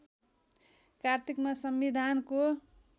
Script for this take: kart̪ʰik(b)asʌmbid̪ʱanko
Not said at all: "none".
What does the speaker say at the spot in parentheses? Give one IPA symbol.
m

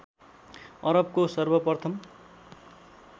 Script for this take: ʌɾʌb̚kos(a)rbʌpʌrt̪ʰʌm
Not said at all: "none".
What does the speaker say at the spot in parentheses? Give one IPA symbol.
ʌ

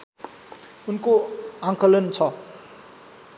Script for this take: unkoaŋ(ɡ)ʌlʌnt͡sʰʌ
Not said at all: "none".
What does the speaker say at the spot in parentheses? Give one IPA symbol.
k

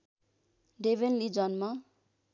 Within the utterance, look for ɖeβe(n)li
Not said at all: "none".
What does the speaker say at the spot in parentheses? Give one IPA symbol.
n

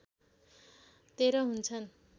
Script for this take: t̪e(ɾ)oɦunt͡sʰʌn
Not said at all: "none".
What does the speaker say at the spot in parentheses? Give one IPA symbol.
ɾ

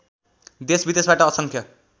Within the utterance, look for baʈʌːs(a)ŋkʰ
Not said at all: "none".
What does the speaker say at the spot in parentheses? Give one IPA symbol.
ʌ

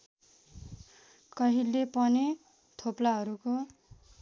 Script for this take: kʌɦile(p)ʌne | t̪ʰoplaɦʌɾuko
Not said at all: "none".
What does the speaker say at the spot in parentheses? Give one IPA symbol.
p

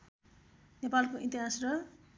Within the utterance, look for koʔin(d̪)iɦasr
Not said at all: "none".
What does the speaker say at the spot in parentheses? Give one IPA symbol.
t̪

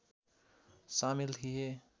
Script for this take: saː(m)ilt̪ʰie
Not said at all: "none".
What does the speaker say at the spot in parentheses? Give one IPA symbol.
m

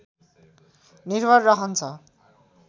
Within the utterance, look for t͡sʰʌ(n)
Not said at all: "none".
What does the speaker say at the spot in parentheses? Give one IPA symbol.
none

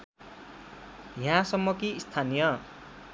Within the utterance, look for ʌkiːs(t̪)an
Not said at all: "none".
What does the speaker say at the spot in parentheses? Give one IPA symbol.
t̪ʰ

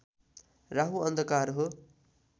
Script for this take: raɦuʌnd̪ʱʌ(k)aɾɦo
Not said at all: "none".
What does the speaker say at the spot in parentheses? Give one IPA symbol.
k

